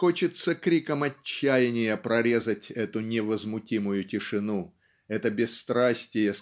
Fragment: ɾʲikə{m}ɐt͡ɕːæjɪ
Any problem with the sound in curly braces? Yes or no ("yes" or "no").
no